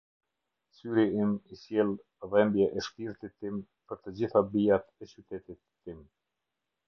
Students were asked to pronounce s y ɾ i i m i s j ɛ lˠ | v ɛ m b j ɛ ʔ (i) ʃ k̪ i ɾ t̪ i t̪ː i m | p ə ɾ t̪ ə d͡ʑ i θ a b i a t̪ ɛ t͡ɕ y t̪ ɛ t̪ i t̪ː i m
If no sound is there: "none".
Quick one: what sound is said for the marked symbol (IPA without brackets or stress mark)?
ɛ